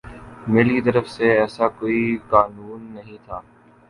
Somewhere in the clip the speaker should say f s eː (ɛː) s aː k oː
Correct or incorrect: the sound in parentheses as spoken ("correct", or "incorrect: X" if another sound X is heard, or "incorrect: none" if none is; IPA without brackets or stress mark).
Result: correct